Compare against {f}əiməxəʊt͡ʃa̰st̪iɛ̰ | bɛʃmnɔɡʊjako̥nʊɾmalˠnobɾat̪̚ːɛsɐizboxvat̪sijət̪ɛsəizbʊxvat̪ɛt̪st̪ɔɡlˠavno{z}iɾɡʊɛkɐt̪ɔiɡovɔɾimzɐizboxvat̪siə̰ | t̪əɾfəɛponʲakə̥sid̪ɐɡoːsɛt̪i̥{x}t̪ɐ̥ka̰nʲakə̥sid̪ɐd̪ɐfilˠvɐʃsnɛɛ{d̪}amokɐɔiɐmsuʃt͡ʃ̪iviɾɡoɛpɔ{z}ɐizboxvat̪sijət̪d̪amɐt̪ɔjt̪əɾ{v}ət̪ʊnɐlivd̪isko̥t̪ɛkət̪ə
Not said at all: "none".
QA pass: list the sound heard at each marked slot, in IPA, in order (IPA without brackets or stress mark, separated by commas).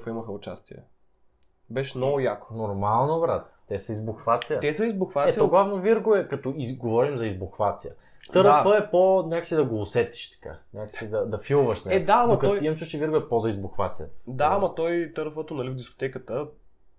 f, v, ʃ, d̪, z, f